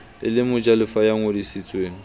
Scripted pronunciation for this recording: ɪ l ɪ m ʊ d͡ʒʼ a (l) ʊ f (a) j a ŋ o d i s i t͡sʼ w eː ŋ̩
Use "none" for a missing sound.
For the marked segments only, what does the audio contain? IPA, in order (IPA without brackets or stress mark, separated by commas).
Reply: l, a